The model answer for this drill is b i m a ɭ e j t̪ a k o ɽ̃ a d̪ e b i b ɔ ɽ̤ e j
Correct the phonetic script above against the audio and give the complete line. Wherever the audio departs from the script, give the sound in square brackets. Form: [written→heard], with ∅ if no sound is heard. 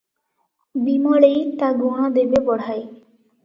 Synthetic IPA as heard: b i m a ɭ e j t̪ a [k→ɡ] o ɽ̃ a d̪ e b [i→e] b ɔ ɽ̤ [e→a] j